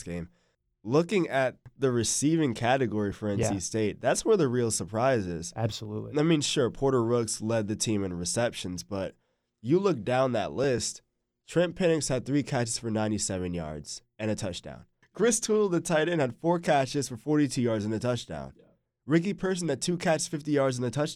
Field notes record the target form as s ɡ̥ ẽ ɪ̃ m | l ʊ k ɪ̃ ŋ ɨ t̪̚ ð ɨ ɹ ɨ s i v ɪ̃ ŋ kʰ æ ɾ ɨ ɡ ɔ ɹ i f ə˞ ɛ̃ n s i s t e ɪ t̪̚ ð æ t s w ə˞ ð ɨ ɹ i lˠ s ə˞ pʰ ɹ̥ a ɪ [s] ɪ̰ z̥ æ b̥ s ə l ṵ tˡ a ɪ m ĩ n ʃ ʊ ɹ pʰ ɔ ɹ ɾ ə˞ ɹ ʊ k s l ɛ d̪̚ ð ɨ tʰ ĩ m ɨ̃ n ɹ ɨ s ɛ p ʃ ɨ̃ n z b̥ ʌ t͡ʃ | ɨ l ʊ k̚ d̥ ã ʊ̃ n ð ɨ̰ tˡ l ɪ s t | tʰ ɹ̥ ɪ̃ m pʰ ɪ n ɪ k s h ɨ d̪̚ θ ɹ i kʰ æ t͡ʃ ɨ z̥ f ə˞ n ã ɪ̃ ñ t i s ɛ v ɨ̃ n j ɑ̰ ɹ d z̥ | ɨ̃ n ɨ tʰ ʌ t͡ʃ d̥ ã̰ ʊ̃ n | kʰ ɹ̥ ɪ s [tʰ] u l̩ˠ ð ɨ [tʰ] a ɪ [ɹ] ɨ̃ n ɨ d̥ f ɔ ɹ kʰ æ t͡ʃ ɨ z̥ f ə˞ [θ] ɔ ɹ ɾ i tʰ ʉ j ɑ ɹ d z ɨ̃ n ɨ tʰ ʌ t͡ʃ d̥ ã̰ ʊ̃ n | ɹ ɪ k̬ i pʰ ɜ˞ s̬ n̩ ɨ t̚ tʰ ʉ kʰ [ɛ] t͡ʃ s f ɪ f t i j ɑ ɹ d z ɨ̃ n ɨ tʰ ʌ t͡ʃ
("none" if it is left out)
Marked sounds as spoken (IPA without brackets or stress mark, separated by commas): z, tʰ, tʰ, ɾ, f, æ